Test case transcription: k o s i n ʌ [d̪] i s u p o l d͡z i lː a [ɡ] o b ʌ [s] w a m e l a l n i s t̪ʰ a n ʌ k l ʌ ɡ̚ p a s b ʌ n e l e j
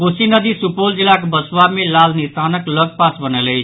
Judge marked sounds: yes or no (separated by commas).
yes, no, yes